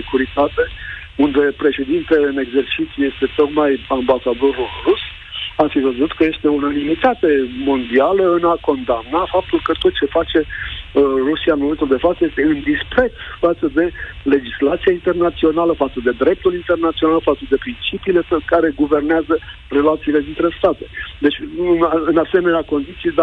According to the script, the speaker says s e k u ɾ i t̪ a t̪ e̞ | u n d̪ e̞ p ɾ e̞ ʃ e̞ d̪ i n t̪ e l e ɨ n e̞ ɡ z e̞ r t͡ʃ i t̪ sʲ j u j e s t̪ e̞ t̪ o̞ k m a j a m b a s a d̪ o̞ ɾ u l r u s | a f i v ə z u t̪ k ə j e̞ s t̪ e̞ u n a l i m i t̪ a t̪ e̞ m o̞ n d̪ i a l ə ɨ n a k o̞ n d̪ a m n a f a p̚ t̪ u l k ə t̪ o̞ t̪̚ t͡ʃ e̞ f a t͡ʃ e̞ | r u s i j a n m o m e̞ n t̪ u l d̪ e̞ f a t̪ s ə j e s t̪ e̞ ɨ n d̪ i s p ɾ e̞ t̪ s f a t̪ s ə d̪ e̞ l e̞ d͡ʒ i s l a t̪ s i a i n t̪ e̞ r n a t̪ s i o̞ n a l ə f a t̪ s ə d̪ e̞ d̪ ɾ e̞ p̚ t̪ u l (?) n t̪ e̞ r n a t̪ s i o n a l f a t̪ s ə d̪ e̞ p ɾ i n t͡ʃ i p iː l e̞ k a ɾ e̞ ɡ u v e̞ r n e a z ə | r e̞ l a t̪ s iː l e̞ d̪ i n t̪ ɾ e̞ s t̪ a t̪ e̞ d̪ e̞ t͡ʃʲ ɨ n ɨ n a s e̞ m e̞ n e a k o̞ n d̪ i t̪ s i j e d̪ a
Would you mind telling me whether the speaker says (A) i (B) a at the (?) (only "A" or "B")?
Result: A